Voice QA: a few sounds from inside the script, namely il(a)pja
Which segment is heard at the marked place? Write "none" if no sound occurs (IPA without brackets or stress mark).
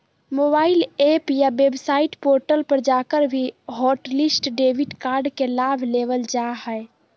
e